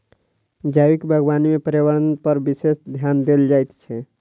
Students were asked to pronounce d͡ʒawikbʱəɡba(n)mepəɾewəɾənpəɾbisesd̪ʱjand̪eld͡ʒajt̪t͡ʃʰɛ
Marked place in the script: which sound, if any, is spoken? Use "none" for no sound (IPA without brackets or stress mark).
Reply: n